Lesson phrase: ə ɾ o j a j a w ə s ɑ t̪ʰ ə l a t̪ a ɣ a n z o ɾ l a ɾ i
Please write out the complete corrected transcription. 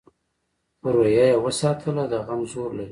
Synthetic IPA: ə ɾ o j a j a w ə s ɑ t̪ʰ ə l a d̪ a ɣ a m z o ɾ l a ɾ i